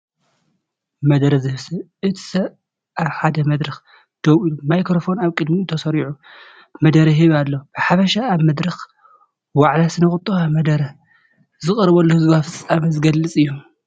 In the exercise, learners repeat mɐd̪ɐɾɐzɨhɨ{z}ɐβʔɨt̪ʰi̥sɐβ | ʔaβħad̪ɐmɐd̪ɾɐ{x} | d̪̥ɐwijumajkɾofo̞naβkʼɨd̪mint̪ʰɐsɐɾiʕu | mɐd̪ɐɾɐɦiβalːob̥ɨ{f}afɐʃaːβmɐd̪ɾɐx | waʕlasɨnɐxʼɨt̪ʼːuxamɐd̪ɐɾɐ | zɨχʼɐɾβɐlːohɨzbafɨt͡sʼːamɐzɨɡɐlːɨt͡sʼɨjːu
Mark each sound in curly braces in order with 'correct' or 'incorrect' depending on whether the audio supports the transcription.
incorrect: s, correct, incorrect: ħ

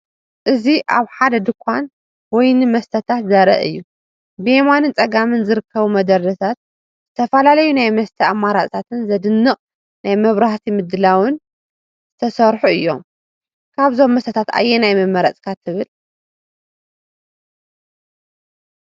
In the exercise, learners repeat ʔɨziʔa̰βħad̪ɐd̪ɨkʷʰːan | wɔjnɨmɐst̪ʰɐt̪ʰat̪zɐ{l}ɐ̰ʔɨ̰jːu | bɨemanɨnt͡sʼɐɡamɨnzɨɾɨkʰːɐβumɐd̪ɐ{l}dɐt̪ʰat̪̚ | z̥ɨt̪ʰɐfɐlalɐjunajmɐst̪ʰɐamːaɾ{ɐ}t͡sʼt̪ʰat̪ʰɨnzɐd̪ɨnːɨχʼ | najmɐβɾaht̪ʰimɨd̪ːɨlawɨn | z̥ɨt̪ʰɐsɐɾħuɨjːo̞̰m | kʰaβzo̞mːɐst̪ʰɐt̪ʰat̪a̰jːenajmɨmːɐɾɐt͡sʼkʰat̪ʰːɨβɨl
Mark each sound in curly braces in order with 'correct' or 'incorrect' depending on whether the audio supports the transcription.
incorrect: ɾ, incorrect: ɾ, incorrect: a

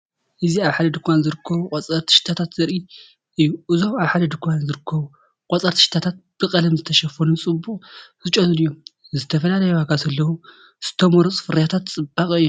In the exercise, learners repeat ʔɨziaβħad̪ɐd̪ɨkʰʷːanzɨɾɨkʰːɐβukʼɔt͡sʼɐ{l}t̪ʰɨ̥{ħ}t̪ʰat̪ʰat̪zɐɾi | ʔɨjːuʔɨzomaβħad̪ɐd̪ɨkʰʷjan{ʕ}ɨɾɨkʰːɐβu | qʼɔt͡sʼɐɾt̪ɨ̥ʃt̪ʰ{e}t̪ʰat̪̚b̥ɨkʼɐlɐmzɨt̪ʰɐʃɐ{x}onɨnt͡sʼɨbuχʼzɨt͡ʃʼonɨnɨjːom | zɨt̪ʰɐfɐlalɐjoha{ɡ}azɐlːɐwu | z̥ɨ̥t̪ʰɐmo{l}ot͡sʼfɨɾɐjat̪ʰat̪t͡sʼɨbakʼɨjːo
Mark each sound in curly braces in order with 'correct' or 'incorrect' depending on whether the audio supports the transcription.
incorrect: ɾ, incorrect: ʃ, incorrect: z, incorrect: a, incorrect: f, correct, incorrect: ɾ

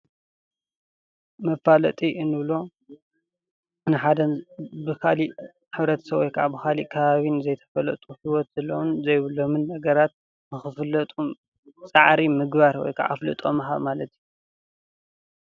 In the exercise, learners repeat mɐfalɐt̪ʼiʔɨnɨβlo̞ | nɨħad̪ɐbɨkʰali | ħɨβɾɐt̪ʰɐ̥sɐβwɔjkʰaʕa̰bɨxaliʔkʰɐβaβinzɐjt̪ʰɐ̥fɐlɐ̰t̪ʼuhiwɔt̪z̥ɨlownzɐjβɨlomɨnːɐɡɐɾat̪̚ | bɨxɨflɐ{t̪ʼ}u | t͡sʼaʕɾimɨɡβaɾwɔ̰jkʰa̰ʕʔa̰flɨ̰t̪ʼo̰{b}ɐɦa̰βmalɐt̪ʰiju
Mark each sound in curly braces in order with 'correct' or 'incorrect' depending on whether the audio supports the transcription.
correct, incorrect: m

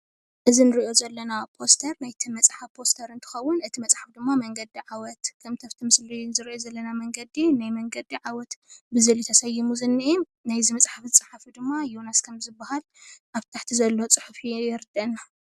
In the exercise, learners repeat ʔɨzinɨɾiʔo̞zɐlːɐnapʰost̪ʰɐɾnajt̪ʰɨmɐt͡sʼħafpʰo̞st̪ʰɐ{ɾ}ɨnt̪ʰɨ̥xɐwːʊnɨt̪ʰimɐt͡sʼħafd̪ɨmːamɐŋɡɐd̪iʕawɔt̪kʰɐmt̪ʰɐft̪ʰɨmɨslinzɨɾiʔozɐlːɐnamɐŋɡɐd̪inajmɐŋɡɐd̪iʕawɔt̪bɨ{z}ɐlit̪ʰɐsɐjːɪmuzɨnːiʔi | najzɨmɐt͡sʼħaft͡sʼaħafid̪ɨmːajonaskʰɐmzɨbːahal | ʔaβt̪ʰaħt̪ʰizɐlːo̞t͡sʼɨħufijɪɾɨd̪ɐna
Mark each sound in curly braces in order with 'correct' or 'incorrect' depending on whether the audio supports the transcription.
correct, correct

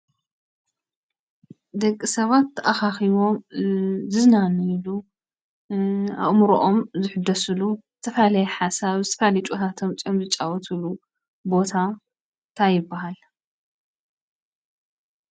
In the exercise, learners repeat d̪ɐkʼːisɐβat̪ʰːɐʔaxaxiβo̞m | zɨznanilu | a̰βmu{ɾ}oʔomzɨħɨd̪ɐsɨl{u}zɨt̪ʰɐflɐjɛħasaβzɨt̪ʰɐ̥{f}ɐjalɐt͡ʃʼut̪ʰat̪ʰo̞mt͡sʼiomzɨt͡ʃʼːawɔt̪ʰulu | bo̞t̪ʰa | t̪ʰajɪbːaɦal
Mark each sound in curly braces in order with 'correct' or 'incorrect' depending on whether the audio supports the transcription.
correct, correct, correct

